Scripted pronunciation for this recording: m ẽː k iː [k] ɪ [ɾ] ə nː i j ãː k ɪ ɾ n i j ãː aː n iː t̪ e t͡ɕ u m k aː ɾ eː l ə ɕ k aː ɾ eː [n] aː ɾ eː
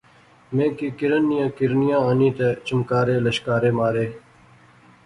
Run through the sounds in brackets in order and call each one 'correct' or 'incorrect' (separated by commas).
correct, correct, incorrect